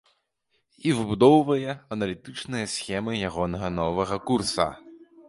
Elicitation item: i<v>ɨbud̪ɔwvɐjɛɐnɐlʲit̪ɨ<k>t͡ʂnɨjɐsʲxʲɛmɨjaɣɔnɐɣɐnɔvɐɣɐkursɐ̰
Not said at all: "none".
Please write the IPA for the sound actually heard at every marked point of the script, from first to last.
v, none

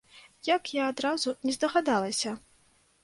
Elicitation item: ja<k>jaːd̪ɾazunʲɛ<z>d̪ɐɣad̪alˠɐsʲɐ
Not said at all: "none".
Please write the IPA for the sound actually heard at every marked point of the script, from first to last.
k, z

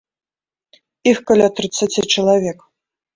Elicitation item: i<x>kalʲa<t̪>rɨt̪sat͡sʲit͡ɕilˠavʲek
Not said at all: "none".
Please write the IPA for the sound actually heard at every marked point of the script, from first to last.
x, t̪

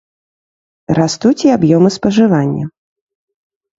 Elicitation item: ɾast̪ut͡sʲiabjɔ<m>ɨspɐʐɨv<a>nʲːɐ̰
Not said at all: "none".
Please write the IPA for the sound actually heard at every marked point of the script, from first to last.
m, a

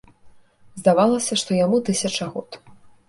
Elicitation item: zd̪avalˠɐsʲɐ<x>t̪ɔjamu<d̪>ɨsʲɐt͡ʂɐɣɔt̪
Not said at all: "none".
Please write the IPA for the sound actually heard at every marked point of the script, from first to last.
ʂ, t̪

